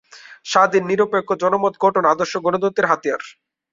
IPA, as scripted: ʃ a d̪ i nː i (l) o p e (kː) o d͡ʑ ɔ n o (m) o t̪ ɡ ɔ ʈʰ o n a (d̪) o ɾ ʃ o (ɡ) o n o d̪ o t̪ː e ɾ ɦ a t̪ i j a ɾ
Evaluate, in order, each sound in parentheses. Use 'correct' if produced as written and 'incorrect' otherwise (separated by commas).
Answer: incorrect, correct, correct, correct, correct